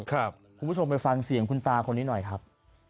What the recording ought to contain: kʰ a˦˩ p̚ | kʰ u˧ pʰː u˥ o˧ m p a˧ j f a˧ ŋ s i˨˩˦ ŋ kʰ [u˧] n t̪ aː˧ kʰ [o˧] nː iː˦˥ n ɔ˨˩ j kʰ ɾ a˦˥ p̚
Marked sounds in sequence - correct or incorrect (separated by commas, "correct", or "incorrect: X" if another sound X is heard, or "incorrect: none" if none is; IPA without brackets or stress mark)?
correct, correct